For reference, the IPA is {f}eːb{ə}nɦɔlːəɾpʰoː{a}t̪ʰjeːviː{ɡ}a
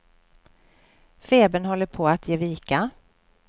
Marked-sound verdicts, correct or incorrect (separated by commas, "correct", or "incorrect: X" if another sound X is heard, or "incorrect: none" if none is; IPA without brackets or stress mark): correct, correct, correct, incorrect: k